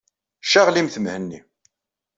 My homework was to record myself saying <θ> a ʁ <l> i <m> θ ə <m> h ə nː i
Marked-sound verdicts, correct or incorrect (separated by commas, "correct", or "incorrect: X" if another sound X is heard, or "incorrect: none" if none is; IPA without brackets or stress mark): incorrect: ʃ, correct, correct, correct